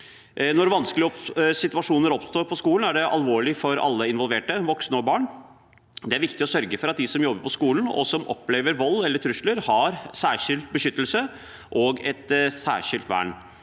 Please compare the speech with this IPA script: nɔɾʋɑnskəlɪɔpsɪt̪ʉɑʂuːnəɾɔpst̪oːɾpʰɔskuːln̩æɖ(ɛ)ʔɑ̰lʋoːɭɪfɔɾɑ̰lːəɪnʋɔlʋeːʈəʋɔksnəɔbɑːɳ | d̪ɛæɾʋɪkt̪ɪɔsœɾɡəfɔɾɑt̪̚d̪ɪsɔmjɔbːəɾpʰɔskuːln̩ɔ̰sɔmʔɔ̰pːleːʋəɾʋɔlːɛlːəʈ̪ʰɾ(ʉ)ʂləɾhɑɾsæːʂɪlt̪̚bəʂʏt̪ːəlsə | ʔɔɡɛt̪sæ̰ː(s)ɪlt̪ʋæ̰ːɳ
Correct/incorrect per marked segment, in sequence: correct, correct, incorrect

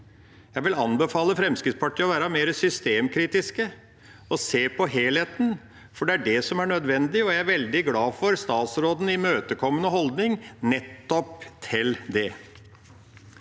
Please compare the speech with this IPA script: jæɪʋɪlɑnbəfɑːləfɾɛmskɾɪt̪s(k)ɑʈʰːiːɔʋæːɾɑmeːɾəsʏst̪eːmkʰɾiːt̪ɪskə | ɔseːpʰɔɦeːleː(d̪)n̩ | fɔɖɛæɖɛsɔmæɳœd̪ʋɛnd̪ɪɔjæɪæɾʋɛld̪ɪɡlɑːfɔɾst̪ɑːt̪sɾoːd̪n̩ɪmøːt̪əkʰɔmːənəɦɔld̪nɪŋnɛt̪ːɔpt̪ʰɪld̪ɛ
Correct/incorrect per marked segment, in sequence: incorrect, incorrect

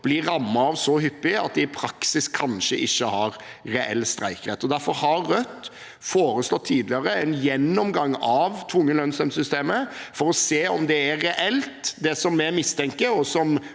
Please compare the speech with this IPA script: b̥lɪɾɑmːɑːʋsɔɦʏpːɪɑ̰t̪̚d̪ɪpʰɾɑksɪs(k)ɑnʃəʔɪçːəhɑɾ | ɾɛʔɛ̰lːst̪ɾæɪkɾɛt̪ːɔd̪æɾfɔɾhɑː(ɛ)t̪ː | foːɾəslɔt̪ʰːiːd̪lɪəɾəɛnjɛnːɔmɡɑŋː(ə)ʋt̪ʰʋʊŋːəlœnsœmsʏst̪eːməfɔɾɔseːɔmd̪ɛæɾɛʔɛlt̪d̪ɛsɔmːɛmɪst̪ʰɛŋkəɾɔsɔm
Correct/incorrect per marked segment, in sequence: incorrect, incorrect, incorrect

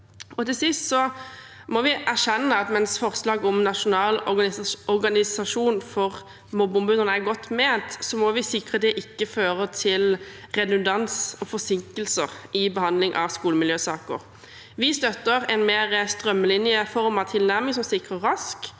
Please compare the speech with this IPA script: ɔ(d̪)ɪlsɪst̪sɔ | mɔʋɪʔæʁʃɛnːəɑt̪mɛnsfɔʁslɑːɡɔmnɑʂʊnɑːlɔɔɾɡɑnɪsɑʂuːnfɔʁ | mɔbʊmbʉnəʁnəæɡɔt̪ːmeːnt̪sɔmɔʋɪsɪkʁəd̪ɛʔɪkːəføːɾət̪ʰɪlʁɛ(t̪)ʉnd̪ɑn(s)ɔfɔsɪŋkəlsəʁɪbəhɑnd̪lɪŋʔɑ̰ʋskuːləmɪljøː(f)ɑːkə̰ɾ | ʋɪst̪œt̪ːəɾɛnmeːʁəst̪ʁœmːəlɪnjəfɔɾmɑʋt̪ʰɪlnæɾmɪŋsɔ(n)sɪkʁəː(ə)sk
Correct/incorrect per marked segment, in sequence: incorrect, incorrect, correct, incorrect, incorrect, incorrect

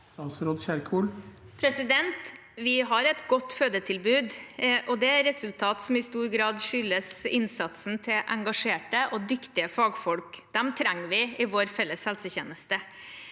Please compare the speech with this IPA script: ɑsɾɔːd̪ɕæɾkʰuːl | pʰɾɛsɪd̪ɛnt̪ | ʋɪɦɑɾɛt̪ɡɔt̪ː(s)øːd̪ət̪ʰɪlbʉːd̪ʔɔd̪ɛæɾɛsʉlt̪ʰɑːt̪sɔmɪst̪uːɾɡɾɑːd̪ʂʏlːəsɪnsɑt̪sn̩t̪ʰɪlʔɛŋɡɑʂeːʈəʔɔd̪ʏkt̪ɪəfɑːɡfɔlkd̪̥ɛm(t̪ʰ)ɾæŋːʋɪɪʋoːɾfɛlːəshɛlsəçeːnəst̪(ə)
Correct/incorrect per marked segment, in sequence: incorrect, correct, correct

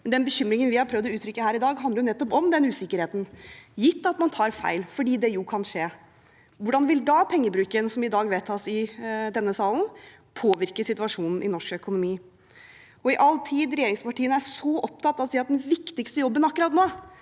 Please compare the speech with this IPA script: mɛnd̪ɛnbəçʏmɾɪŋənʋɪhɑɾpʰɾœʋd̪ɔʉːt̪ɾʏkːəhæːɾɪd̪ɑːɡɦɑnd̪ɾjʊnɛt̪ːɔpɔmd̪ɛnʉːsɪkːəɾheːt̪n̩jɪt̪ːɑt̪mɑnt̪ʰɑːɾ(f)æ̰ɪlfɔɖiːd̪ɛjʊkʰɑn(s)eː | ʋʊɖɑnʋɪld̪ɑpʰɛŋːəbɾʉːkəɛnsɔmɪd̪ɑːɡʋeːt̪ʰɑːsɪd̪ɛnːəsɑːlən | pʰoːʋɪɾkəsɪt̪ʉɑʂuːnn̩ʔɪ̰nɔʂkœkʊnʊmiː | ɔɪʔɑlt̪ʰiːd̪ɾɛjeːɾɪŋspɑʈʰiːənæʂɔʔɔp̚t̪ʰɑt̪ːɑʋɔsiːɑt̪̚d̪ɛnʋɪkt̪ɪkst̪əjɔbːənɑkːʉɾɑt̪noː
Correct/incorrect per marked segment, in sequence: correct, incorrect

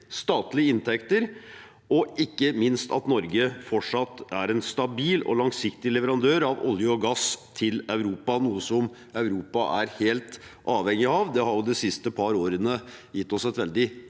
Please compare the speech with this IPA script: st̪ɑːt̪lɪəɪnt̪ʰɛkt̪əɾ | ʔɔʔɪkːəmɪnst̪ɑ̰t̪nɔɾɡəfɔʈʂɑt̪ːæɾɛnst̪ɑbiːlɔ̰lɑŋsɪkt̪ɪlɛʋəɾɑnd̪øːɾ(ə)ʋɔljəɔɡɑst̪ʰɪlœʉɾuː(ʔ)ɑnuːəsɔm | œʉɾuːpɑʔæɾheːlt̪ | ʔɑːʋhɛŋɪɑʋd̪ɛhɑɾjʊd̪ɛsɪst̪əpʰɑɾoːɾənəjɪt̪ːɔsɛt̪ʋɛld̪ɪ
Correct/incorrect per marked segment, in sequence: incorrect, incorrect

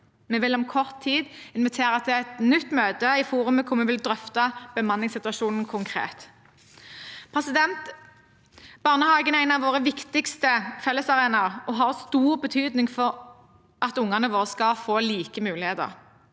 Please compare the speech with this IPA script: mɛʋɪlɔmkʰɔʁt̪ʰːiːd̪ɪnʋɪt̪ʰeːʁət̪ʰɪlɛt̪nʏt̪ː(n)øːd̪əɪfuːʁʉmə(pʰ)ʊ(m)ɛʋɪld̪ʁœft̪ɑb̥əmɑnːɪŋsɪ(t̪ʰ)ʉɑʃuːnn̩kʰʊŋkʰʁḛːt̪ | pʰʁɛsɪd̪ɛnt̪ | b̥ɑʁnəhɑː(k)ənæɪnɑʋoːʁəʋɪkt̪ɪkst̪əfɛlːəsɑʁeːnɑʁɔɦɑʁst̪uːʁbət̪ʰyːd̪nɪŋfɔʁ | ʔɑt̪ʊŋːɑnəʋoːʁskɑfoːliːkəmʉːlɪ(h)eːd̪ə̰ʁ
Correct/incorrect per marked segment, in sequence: incorrect, incorrect, correct, incorrect, incorrect, correct

